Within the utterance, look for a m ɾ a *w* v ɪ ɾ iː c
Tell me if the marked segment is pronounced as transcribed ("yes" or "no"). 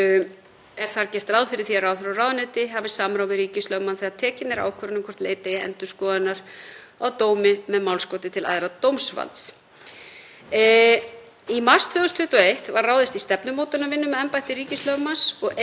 yes